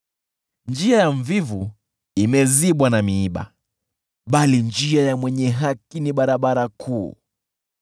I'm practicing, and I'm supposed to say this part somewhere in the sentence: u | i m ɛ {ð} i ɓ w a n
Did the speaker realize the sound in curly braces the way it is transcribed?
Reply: no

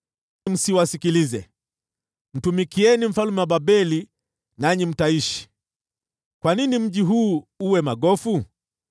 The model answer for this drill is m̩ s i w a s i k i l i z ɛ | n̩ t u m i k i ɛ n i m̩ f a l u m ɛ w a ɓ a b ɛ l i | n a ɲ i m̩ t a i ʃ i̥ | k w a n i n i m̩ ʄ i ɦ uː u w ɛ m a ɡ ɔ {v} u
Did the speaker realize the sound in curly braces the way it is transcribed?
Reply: no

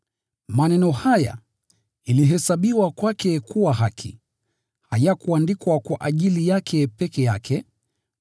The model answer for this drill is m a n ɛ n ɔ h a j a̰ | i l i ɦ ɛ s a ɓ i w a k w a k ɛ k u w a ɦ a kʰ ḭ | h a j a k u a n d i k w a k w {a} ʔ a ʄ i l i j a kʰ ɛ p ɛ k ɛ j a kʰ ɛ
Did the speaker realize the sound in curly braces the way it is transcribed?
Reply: yes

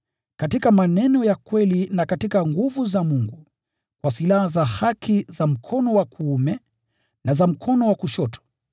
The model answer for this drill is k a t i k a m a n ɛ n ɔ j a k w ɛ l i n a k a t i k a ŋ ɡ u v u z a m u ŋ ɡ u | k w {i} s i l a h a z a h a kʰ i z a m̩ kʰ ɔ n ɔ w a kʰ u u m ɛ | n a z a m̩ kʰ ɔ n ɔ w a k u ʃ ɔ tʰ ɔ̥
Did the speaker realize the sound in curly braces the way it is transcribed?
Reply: no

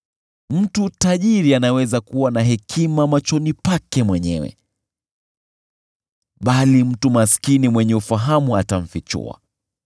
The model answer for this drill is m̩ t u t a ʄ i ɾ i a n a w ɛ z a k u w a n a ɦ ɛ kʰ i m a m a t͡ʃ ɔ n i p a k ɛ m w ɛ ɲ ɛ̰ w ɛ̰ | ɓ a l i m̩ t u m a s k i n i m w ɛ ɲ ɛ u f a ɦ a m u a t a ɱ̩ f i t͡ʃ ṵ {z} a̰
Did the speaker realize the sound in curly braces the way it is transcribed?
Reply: no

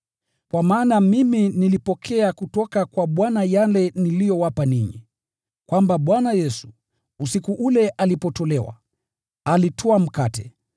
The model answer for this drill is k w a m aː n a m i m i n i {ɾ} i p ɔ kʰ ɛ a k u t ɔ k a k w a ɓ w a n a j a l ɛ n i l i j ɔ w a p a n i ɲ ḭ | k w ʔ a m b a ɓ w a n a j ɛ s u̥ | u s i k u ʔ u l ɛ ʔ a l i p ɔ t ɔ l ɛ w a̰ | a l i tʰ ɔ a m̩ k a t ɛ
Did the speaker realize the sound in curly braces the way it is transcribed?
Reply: no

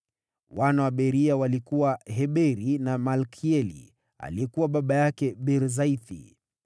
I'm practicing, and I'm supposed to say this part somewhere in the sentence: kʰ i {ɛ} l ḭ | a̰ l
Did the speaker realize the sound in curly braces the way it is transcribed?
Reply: yes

